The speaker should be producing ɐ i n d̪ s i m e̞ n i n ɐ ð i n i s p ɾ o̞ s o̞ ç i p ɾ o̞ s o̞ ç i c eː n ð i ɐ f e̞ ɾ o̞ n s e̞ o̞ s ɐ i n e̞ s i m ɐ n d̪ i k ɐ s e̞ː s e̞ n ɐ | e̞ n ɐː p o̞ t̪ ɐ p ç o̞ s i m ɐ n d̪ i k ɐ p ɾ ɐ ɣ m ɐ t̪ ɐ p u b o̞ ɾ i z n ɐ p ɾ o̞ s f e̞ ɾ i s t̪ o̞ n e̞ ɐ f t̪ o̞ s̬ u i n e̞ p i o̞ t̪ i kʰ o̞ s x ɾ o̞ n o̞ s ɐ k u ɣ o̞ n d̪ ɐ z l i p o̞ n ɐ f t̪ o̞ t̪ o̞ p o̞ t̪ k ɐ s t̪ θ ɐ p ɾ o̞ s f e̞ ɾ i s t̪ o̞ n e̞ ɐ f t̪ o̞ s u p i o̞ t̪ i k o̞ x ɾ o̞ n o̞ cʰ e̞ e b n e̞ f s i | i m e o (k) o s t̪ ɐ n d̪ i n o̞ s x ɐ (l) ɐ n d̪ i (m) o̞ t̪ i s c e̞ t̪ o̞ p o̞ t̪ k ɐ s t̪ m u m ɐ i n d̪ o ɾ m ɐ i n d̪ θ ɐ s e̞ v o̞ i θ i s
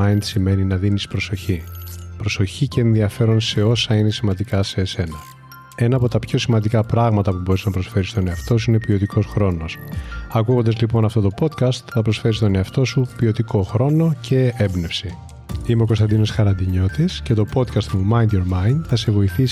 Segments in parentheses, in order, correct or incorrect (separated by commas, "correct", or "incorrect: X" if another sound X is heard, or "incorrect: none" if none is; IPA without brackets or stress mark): correct, incorrect: ɾ, incorrect: ɲ